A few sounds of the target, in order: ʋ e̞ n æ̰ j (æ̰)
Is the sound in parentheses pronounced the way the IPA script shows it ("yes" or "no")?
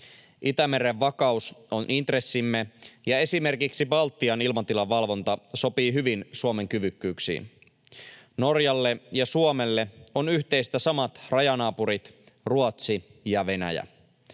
yes